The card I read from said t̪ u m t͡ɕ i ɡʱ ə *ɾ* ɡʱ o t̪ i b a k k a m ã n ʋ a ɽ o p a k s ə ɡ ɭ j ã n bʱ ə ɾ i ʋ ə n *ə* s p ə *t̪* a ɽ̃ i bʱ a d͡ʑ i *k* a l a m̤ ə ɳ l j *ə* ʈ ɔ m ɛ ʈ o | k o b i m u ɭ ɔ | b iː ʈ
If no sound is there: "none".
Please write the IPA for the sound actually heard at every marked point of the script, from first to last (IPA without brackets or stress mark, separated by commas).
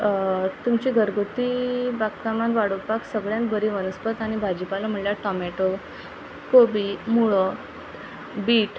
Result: ɾ, ə, t̪, p, a